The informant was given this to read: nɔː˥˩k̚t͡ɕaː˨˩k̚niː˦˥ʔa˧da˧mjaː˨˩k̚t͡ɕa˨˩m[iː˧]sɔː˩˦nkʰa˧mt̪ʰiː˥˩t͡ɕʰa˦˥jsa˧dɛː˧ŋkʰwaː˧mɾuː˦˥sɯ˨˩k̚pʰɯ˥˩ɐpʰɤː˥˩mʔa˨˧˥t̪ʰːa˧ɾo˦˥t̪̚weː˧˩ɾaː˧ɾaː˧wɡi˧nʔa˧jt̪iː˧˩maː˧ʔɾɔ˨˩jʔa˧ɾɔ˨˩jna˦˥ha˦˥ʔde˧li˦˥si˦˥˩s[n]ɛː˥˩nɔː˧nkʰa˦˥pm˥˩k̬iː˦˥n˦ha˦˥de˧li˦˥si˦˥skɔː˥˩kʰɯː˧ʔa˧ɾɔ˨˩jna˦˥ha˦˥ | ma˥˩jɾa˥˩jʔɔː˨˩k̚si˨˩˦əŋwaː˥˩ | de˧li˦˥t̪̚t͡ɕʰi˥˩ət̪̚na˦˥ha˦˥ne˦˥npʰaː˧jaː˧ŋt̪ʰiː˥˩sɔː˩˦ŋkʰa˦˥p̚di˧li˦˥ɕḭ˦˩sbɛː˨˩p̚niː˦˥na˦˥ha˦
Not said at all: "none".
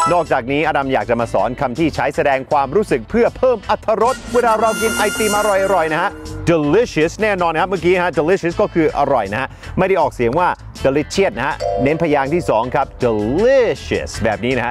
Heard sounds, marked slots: aː˧, n

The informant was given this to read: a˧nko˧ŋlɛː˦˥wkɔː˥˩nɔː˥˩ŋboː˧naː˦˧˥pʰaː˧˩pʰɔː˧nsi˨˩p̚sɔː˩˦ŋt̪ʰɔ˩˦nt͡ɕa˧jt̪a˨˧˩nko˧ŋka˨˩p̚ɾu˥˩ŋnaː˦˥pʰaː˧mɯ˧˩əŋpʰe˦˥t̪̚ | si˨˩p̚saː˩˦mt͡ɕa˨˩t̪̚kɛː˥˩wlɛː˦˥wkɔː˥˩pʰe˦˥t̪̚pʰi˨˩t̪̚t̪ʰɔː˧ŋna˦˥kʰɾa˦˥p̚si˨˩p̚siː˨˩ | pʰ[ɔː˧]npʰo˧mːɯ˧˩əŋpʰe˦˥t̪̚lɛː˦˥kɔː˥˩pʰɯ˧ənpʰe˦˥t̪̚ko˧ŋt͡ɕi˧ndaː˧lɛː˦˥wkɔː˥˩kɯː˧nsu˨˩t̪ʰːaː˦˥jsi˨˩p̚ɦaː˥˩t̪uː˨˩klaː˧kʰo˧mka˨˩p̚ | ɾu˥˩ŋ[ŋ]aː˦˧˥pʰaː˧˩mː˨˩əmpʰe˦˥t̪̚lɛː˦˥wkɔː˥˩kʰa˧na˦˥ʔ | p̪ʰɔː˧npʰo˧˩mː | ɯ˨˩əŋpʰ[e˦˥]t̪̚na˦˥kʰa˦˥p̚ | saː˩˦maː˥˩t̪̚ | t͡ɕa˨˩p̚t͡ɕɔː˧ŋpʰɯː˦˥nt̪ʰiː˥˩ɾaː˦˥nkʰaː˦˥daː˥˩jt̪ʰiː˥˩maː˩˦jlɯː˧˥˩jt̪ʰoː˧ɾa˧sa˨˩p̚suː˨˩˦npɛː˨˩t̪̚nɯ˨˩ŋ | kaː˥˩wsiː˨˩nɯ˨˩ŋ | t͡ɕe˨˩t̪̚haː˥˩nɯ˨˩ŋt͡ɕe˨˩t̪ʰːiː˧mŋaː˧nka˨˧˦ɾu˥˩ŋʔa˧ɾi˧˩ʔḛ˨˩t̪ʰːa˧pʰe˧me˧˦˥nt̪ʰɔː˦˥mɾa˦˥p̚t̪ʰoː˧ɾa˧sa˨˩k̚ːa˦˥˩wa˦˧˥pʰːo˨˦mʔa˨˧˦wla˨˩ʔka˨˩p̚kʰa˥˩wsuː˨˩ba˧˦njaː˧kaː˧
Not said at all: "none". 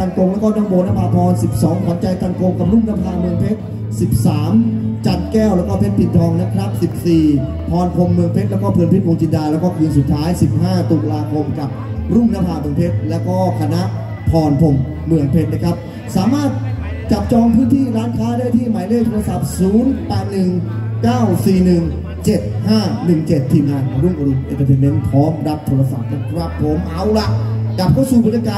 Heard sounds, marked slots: ɔː˧, n, e˦˥

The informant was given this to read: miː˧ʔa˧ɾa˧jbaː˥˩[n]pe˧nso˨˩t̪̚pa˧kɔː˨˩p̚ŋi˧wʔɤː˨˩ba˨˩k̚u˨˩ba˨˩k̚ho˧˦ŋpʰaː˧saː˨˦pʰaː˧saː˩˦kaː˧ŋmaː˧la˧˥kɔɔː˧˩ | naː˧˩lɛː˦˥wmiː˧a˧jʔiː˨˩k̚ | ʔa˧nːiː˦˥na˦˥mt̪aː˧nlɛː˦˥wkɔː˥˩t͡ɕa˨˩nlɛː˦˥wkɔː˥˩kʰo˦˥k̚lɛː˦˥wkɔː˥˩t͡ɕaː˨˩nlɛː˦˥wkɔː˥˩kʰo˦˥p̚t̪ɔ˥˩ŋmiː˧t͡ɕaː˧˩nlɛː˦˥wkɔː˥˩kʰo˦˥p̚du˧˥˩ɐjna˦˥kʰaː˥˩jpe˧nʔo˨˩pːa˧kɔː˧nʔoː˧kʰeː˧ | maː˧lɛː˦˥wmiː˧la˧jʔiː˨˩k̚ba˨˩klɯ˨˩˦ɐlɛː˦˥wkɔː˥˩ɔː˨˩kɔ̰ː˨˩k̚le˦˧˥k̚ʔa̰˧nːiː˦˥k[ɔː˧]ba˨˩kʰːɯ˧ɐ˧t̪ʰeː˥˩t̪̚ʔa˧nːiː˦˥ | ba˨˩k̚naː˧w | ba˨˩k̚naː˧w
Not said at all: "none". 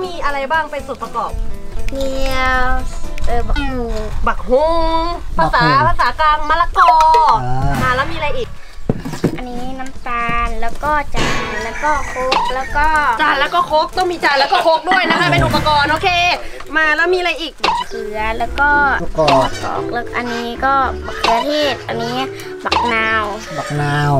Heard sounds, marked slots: ŋ, ɔː˥˩

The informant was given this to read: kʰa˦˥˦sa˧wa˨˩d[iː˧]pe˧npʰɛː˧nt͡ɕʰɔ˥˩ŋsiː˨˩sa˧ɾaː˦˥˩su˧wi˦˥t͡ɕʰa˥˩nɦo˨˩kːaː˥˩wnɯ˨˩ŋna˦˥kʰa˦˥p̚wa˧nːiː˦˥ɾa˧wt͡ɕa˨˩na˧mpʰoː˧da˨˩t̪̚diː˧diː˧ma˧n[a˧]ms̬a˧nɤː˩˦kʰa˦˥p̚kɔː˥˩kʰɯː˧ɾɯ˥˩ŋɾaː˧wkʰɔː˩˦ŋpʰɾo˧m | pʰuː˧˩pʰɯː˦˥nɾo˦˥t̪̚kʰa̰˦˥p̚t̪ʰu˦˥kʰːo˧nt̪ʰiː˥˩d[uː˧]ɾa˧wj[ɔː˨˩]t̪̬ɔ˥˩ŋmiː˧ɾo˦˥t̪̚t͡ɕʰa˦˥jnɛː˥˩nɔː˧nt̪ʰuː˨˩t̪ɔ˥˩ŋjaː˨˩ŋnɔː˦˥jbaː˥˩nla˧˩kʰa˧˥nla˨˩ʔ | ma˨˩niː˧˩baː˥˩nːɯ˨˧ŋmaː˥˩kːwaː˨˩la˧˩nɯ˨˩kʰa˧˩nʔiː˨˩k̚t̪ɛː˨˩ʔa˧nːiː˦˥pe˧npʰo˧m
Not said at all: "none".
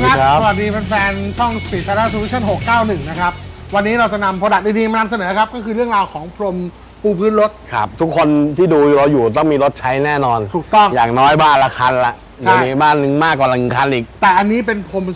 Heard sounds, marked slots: iː˧, a˧, uː˧, uː˨˩

